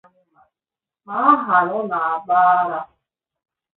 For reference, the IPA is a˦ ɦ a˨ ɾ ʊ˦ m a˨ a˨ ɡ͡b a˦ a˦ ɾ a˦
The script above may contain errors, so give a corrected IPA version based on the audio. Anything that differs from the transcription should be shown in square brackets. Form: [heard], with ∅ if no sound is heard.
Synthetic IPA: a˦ ɦ a˨ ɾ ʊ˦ [n] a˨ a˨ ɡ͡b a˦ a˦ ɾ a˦

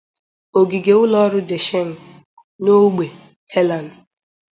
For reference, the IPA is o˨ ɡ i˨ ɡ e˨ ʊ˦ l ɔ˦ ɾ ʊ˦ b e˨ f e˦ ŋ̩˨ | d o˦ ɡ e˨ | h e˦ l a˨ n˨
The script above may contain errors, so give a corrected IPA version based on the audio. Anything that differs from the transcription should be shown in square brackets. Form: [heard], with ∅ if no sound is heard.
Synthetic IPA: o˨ ɡ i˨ ɡ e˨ ʊ˦ l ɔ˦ ɾ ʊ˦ [d] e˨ [ʃ] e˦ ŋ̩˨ | [n] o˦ [ɡ͡b] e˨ | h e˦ l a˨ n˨

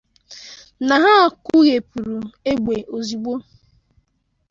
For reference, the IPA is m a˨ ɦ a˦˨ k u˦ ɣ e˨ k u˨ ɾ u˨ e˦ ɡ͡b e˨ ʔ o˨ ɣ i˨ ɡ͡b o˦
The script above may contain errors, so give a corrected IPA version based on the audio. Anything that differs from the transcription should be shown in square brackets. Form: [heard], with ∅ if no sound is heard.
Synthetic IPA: [n] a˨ ɦ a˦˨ k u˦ ɣ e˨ [p] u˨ ɾ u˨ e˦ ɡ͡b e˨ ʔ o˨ [z] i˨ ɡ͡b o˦

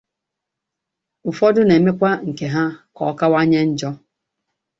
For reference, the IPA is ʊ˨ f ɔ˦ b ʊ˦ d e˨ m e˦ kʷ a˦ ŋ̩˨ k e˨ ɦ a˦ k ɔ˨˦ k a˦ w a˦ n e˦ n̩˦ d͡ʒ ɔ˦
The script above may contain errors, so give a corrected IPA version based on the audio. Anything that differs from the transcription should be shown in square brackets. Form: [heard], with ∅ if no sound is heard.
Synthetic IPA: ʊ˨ f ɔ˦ [d] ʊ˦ [n] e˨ m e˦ kʷ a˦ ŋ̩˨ k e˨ ɦ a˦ k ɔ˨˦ k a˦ w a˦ [ɲ] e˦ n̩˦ d͡ʒ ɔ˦

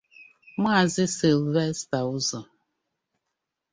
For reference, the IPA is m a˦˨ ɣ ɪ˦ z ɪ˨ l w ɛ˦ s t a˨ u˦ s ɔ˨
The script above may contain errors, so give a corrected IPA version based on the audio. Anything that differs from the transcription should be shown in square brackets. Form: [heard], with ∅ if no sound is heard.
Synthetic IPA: m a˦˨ [z] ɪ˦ [s] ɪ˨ l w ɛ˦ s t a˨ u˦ [z] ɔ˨

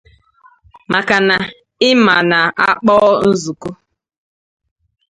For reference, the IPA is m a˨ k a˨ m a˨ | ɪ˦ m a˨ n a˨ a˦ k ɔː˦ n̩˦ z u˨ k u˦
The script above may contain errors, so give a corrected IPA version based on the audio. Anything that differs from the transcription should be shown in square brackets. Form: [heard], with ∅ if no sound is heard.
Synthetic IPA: m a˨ k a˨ [n] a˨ | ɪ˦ m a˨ n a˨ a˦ [k͡p] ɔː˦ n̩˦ z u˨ k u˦

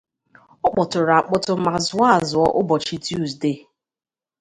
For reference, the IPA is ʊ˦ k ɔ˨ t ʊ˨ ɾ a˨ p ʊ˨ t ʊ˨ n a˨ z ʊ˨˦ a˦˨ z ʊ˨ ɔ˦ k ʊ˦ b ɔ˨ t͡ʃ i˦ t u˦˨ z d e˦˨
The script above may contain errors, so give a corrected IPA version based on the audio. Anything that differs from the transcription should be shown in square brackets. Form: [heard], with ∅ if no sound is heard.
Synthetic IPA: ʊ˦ [k͡p] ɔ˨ t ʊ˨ ɾ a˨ [k͡p] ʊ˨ t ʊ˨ [m] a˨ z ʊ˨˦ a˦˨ z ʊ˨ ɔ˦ [ʔ] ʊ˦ b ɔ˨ t͡ʃ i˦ t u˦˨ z d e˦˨

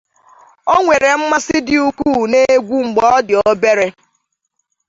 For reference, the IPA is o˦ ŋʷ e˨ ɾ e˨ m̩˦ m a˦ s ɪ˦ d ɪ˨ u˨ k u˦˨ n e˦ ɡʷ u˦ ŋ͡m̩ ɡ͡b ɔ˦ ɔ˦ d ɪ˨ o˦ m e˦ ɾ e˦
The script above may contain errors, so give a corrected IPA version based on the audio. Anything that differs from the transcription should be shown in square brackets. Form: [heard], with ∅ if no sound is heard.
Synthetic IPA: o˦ ŋʷ e˨ ɾ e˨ m̩˦ m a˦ s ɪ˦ d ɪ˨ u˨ k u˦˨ n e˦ ɡʷ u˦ ŋ͡m̩ ɡ͡b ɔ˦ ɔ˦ d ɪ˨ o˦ [b] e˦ ɾ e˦

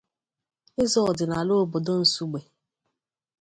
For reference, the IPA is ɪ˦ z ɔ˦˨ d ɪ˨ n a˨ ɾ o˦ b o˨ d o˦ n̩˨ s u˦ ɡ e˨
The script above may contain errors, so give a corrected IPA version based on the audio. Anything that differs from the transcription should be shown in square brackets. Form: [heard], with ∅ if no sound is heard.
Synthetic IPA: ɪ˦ z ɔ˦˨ d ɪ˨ n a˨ [l] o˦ b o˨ d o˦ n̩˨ s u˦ [ɡ͡b] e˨

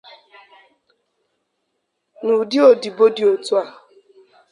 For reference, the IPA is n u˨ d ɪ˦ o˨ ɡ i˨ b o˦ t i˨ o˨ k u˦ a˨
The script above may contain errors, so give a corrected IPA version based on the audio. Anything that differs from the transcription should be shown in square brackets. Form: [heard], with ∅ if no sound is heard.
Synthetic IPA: n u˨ d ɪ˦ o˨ [d] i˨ b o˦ [d] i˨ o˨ [t] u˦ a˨

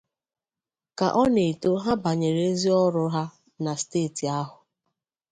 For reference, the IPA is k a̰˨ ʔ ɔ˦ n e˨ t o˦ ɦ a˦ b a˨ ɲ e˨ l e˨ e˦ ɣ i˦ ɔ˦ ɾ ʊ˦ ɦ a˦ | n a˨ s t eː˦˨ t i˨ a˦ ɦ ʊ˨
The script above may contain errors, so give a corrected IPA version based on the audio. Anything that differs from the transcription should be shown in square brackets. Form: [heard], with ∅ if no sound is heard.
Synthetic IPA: k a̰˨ ʔ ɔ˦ n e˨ t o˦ ɦ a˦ b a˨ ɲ e˨ [ɾ] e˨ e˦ [z] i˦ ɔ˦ ɾ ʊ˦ ɦ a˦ | n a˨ s t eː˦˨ t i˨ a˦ ɦ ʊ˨

